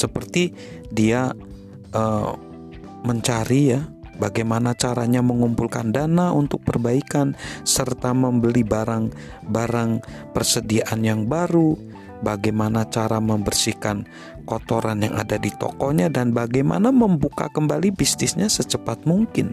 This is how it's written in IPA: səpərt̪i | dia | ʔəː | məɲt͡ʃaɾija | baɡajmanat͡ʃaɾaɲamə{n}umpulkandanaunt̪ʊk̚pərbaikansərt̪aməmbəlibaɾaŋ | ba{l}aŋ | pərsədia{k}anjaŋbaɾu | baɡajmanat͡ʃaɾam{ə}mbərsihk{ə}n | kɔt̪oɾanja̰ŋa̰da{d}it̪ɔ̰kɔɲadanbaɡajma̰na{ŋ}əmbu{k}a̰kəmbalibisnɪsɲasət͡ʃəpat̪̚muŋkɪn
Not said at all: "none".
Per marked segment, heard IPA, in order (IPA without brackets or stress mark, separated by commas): ŋ, ɾ, ʔ, ə, a, d, m, k